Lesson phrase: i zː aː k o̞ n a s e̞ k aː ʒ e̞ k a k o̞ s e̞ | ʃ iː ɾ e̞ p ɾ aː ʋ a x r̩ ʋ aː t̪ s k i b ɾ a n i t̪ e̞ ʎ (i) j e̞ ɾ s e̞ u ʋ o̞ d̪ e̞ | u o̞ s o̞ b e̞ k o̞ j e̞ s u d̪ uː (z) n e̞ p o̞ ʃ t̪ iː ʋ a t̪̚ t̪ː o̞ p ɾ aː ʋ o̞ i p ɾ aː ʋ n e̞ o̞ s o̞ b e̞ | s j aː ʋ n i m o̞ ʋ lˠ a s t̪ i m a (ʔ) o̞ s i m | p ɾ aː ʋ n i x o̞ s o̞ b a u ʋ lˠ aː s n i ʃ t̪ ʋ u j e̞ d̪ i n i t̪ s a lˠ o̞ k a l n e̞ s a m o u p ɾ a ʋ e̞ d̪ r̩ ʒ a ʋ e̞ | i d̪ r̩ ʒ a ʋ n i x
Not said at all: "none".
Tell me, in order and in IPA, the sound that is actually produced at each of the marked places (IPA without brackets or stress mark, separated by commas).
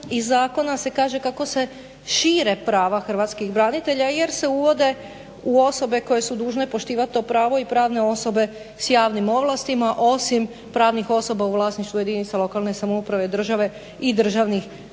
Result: a, ʒ, ʔ